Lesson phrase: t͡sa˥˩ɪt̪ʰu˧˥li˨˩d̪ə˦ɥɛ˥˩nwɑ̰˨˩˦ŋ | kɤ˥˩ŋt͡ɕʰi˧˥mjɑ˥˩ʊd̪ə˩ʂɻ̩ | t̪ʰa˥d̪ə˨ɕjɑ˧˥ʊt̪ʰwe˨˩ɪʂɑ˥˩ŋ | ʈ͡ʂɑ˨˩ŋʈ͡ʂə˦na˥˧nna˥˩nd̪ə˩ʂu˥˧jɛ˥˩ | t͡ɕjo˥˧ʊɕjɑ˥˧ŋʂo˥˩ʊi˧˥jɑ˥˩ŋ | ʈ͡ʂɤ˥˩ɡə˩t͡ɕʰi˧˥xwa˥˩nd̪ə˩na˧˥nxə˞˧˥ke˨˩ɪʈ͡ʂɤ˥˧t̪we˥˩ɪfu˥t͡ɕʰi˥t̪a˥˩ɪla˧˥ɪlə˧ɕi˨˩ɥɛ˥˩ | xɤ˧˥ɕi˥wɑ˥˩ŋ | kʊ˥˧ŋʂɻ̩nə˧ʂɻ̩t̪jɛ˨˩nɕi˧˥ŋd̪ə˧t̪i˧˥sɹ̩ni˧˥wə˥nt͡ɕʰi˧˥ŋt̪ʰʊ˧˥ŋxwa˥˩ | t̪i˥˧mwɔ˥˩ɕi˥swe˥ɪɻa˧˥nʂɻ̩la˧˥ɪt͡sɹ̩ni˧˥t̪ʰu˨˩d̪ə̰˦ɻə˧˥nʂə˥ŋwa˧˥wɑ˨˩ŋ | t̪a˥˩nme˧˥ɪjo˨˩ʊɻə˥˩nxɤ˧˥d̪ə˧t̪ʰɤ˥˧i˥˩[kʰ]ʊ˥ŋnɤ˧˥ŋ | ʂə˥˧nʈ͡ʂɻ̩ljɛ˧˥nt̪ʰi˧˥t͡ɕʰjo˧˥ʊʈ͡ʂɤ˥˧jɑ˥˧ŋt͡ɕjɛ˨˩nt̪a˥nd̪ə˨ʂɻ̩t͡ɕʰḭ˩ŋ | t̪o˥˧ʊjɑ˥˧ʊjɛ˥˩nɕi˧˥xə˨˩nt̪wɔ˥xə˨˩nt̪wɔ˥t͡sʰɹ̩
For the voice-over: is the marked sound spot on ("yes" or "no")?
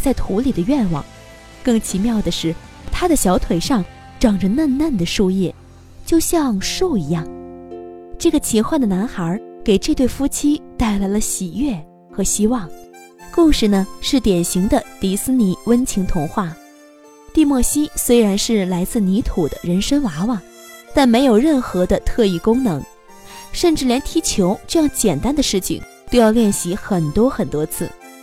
no